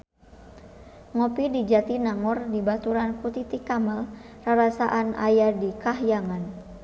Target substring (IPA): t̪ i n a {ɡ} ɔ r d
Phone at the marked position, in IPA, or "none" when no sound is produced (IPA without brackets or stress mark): ŋ